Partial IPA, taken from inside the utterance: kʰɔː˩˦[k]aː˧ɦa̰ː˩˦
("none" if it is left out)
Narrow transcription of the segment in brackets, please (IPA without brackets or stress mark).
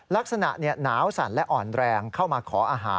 ʔ